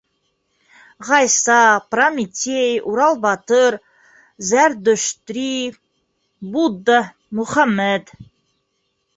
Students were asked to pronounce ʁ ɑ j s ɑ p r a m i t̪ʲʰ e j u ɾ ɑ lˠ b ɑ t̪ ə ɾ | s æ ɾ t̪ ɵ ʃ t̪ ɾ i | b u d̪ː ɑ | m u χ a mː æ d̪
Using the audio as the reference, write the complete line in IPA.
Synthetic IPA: ʁ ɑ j s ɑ p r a m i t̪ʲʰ e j u ɾ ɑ lˠ b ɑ t̪ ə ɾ | z æ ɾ d̪ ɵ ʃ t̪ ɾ i | b u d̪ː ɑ | m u χ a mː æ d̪